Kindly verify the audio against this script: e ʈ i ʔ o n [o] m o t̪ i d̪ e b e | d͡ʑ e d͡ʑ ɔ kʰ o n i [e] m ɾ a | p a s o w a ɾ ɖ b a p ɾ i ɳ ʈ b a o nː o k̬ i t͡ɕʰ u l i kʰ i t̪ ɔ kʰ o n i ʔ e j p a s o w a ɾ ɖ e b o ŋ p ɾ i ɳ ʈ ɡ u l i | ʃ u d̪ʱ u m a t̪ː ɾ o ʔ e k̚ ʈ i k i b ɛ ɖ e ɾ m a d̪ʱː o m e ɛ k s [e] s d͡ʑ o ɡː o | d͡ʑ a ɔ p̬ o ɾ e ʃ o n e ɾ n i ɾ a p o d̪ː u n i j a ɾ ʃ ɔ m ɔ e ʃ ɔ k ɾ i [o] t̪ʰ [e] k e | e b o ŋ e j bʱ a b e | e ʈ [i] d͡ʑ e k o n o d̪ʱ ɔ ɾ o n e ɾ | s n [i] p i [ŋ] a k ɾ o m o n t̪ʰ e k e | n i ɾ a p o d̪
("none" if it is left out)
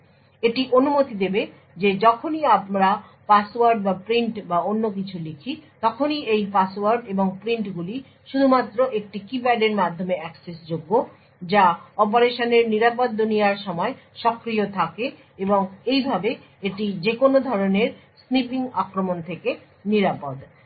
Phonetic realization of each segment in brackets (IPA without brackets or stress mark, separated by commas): u, a, e, o, a, i, i, ŋ